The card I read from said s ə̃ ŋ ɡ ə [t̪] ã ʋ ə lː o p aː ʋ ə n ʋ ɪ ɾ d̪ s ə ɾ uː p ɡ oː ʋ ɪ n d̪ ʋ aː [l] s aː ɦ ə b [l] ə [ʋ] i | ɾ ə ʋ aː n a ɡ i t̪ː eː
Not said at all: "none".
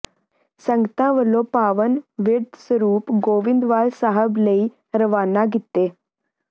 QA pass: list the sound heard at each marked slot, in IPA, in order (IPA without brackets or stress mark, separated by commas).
t̪, l, l, none